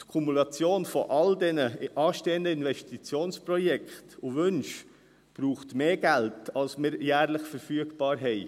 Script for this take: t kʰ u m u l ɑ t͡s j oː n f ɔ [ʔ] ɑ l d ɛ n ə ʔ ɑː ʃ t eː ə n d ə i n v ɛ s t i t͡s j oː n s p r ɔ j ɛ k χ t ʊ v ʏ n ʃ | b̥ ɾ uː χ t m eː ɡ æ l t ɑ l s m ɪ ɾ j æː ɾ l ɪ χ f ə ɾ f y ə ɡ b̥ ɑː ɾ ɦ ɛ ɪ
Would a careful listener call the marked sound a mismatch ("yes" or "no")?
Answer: no